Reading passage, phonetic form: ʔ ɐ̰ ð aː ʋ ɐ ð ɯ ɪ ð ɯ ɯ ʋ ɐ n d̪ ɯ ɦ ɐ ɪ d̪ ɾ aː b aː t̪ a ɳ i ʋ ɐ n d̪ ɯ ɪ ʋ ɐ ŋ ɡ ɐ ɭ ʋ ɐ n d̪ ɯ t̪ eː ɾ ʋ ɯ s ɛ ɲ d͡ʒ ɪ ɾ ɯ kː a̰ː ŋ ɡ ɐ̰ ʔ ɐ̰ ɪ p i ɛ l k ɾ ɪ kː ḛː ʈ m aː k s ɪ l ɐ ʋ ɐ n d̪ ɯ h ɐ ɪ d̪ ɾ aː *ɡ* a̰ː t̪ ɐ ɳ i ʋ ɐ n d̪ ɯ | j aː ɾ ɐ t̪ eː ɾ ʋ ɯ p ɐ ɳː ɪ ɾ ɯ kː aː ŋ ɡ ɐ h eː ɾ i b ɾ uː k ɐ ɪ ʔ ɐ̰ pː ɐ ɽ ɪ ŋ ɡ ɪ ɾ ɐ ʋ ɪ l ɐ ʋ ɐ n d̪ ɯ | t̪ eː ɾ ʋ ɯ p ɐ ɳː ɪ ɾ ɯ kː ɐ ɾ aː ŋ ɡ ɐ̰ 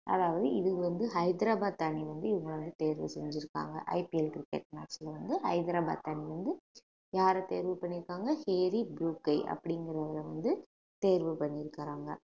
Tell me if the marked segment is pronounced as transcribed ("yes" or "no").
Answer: no